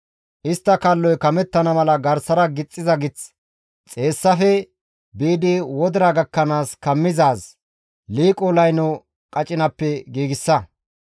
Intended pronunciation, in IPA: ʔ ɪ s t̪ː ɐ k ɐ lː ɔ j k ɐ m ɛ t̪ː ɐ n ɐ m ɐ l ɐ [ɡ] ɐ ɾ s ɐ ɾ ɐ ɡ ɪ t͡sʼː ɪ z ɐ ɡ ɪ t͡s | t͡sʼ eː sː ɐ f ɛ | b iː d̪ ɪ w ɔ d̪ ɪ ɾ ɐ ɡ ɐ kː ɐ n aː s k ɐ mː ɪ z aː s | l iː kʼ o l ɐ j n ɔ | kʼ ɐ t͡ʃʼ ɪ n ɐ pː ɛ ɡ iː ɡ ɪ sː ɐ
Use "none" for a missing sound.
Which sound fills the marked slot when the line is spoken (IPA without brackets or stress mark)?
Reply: ɡ